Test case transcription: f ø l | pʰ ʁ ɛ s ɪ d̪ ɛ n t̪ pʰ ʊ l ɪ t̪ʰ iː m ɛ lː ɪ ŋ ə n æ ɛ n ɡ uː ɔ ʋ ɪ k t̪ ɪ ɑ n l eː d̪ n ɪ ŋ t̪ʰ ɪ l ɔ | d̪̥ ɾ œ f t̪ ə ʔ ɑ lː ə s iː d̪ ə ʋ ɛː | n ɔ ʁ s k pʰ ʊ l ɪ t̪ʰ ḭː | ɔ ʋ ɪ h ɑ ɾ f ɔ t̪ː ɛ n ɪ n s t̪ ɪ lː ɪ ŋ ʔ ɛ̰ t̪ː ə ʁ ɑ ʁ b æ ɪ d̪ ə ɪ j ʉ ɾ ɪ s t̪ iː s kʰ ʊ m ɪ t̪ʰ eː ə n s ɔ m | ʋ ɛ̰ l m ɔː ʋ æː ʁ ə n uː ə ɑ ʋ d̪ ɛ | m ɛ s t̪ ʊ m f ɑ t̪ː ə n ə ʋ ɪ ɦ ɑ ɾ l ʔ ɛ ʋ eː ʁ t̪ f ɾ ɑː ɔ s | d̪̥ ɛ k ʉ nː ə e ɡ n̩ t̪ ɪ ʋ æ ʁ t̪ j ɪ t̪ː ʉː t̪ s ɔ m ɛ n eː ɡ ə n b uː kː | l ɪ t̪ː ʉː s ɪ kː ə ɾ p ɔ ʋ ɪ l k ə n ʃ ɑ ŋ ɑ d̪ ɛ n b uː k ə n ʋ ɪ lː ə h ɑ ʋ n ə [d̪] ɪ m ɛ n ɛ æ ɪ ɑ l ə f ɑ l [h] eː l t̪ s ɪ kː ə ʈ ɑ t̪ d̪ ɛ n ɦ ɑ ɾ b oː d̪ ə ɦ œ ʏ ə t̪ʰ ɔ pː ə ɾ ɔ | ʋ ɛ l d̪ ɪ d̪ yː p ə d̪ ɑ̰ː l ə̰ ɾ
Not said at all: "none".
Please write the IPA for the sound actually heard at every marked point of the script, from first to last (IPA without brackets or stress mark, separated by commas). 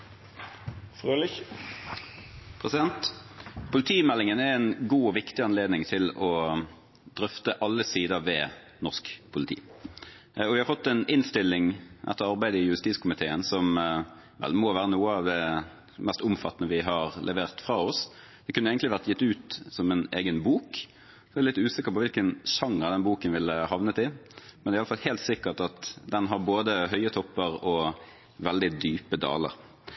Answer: t̪, h